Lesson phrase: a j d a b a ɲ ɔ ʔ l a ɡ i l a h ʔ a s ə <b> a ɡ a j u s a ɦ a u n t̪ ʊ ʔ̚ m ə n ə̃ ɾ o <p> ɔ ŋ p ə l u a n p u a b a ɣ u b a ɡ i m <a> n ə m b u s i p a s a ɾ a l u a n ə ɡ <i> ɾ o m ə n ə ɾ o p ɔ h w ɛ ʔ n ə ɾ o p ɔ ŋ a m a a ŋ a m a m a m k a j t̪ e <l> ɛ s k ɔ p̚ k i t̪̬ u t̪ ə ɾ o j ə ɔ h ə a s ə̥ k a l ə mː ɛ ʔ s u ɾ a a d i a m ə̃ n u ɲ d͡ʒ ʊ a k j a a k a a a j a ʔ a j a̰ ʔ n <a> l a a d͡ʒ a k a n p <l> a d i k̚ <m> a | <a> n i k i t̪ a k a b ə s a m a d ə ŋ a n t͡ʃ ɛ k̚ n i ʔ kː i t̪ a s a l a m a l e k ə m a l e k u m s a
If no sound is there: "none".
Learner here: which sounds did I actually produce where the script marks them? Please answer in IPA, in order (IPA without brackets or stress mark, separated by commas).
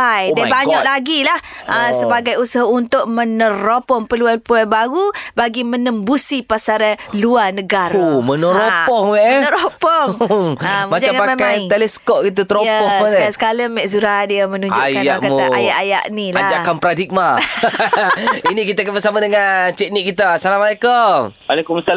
b, p, ə, a, l, i, ɾ, m, i